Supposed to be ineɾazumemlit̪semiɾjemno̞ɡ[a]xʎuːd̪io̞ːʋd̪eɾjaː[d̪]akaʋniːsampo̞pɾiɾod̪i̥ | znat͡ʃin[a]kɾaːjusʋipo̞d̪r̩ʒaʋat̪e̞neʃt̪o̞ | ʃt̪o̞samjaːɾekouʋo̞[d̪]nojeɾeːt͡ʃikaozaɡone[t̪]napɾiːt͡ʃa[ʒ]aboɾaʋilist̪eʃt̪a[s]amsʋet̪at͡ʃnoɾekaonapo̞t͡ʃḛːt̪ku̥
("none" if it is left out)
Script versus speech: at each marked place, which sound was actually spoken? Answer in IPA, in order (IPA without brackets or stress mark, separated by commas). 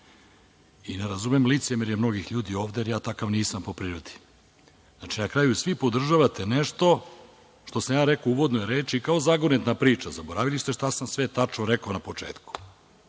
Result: i, t̪, a, d̪, t̪, z, s